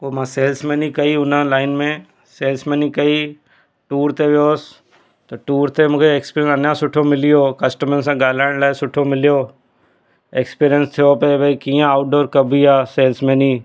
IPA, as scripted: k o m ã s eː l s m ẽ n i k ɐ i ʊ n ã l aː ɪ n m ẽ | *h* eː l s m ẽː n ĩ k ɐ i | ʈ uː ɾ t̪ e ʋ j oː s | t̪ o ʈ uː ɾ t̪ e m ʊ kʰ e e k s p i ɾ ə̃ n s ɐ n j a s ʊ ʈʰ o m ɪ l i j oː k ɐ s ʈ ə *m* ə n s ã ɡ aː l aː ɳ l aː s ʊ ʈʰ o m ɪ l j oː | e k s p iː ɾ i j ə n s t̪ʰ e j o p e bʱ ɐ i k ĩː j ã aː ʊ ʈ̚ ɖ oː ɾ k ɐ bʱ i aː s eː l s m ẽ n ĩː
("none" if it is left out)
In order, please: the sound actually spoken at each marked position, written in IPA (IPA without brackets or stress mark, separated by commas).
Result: s, m